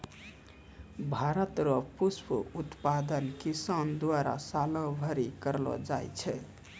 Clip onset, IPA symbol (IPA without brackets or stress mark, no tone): bʱ